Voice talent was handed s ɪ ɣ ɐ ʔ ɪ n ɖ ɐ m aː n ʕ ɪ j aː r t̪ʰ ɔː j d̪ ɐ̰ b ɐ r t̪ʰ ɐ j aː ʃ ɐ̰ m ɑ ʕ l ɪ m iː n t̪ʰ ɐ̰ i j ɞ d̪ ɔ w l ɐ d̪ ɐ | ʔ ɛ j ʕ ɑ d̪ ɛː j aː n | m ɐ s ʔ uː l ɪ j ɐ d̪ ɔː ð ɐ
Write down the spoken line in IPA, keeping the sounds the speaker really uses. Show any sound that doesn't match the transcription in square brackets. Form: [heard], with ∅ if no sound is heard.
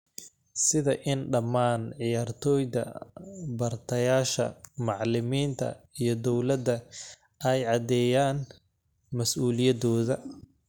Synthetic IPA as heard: s ɪ [ð] ɐ ʔ ɪ n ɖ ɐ m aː n ʕ ɪ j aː r t̪ʰ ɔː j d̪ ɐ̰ b ɐ r t̪ʰ ɐ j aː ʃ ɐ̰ m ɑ ʕ l ɪ m iː n t̪ʰ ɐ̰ i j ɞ d̪ ɔ w l ɐ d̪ ɐ | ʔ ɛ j ʕ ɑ d̪ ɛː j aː n | m ɐ s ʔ uː l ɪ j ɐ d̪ ɔː ð ɐ